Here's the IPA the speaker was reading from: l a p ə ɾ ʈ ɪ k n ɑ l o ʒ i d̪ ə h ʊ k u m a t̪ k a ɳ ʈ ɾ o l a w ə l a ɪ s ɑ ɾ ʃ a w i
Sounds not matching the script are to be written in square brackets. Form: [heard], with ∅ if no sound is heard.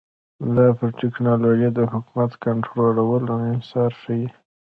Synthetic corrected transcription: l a p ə ɾ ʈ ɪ k n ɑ l o ʒ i d̪ ə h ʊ k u m a t̪ k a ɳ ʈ ɾ o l a w ə l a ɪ s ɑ ɾ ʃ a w i